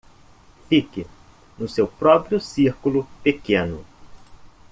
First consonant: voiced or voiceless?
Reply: voiceless